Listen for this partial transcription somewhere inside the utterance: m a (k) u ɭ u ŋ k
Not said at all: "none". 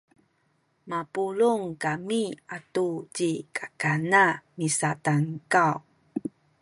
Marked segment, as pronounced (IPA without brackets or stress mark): p